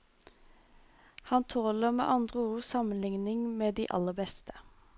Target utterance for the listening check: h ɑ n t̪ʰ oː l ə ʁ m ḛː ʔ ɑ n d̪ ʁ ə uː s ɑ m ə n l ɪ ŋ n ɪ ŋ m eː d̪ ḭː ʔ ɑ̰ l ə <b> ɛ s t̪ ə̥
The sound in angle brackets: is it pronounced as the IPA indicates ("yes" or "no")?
yes